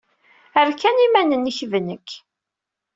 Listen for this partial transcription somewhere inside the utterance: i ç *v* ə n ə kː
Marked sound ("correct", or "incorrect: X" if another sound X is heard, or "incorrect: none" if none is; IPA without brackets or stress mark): correct